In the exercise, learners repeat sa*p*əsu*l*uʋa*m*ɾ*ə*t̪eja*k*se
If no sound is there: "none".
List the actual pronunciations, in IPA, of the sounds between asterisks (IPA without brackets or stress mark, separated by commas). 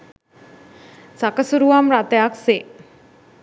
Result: k, ɾ, m, a, k